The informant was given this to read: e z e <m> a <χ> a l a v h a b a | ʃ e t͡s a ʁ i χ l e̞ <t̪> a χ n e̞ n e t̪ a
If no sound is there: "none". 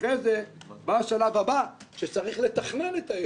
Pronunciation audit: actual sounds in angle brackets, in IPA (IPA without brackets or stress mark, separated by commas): b, ʃ, t̪